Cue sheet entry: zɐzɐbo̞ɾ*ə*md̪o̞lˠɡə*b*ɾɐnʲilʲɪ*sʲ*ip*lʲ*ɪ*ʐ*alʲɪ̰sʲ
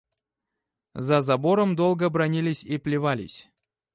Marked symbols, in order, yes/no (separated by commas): yes, yes, yes, yes, no